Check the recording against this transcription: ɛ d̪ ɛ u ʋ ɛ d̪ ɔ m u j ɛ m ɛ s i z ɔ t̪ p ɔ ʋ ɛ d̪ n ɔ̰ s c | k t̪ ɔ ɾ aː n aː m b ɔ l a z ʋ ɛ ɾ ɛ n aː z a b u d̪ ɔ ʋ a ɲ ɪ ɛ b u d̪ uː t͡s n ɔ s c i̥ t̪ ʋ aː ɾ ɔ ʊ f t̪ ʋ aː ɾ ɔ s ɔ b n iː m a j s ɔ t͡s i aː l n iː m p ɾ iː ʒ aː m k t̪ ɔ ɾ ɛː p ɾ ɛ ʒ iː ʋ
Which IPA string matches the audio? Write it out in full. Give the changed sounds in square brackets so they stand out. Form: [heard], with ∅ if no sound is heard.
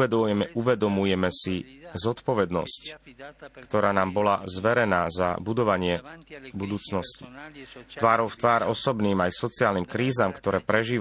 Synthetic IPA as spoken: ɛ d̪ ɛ u ʋ ɛ d̪ ɔ m u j ɛ m ɛ s i z ɔ t̪ p ɔ ʋ ɛ d̪ n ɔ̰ s c | k t̪ ɔ ɾ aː n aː m b ɔ l a z ʋ ɛ ɾ ɛ n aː z a b u d̪ ɔ ʋ a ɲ ɪ ɛ b u d̪ uː t͡s n ɔ s c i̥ t̪ ʋ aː ɾ ɔ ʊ f t̪ ʋ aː ɾ ɔ s ɔ b n iː m a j s ɔ t͡s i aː l n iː m [k] ɾ iː [z] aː m k t̪ ɔ ɾ ɛː p ɾ ɛ ʒ iː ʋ